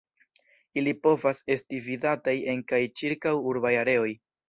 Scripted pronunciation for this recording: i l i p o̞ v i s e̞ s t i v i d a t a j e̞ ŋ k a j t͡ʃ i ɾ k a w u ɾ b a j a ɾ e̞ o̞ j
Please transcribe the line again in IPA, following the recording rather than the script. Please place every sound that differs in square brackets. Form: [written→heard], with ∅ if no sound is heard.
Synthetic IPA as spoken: i l i p o̞ v [i→a] s e̞ s t i v i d a t a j e̞ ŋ k a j t͡ʃ i ɾ k a w u ɾ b a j a ɾ e̞ o̞ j